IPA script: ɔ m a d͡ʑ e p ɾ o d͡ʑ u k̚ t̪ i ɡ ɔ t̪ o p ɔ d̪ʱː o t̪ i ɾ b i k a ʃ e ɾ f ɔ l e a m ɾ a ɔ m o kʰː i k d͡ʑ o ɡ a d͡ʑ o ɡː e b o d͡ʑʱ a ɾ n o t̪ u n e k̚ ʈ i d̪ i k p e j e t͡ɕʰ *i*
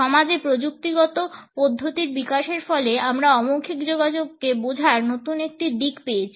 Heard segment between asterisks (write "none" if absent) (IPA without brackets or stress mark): i